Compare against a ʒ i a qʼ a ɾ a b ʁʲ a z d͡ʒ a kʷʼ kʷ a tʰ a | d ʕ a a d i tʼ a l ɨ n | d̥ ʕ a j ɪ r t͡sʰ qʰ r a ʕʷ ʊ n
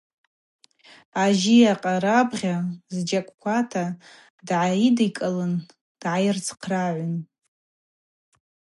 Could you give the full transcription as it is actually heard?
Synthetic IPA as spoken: a ʒ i a qʼ a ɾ a b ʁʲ a z d͡ʒ a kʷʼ kʷ a tʰ a | d ʕ a i d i kʼ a l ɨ n | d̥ ʕ a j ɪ r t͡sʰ qʰ r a ʕʷ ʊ n